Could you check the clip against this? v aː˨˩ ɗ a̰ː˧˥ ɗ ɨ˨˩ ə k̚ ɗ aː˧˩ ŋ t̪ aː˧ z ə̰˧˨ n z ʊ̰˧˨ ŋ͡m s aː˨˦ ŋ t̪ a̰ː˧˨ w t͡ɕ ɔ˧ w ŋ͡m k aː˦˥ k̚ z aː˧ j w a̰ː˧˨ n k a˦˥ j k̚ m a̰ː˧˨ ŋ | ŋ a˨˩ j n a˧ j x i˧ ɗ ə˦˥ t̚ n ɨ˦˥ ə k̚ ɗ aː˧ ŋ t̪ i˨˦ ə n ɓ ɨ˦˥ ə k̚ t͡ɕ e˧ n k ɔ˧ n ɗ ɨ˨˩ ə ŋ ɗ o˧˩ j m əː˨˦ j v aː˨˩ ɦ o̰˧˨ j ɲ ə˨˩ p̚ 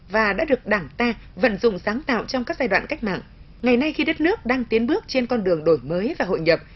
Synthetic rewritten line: v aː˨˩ ɗ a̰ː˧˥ ɗ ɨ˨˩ ə k̚ ɗ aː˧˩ ŋ t̪ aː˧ v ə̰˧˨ n z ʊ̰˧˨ ŋ͡m s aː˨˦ ŋ t̪ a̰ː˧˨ w t͡ɕ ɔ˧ w ŋ͡m k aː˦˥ k̚ z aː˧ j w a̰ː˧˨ n k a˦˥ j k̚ m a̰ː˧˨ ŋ | ŋ a˨˩ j n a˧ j x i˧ ɗ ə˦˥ t̚ n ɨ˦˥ ə k̚ ɗ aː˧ ŋ t̪ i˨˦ ə n ɓ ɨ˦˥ ə k̚ t͡ɕ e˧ n k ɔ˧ n ɗ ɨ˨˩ ə ŋ ɗ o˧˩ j m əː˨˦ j v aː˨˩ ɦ o̰˧˨ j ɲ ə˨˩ p̚